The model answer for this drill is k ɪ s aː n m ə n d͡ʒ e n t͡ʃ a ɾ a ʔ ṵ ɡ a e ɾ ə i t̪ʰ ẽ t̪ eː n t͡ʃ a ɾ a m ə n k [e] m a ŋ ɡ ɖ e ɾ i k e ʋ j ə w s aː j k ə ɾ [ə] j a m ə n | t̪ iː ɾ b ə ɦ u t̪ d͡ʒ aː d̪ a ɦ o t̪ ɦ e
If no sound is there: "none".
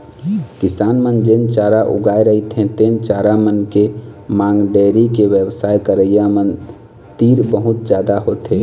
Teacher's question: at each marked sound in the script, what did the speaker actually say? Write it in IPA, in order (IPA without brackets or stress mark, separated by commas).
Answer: e, ə